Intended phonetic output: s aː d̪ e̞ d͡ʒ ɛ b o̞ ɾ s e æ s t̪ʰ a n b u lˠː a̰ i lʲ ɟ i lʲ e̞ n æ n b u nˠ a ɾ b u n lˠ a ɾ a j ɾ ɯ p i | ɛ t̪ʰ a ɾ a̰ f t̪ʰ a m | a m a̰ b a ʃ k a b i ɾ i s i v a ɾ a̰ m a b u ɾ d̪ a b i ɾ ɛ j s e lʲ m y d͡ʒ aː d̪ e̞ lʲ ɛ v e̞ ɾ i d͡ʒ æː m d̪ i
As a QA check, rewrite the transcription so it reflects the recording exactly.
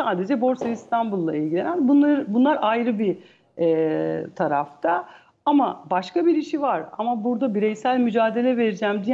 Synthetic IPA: s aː d̪ e̞ d͡ʒ ɛ b o̞ ɾ s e i s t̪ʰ a n b u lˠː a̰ i lʲ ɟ i lʲ e̞ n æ n b u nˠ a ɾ b u n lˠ a ɾ a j ɾ ɯ b i | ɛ t̪ʰ a ɾ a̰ f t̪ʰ a | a m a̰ b a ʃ k a b i ɾ i ʃ i v a ɾ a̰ m a b u ɾ d̪ a b i ɾ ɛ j s æ lʲ m y d͡ʒ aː d̪ e̞ lʲ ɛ v e̞ ɾ i d͡ʒ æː m d̪ i